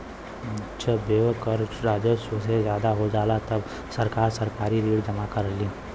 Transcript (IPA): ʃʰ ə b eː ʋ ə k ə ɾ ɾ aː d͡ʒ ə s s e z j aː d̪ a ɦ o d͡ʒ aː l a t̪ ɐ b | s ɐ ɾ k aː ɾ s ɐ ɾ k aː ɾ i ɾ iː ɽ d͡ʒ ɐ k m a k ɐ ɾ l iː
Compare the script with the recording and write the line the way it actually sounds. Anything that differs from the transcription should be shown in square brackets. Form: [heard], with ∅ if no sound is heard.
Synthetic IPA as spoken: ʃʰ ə b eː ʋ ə k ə ɾ ɾ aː d͡ʒ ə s s e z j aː d̪ a ɦ o d͡ʒ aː l a t̪ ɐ b | s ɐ ɾ k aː ɾ s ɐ ɾ k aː ɾ i ɾ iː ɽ d͡ʒ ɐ [∅] m a k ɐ ɾ l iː